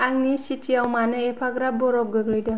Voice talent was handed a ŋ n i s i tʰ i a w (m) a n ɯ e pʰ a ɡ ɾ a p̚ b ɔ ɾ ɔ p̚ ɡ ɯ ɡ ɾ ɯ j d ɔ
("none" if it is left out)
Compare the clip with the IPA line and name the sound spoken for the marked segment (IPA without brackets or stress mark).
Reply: m